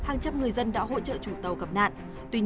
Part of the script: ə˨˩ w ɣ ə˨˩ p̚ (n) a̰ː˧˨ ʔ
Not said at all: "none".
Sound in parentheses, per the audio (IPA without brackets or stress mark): n